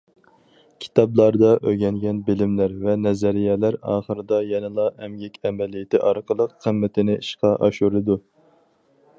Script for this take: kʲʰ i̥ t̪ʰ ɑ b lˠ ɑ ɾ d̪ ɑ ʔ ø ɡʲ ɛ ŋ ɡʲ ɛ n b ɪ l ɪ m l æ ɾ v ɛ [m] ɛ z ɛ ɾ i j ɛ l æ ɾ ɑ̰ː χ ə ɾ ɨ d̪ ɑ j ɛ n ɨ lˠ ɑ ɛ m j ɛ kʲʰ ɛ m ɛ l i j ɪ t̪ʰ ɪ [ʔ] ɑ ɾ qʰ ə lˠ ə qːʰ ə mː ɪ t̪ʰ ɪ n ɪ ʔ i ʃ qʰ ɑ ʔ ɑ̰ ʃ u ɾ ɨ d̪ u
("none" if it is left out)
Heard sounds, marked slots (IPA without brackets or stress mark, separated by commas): n, ʔ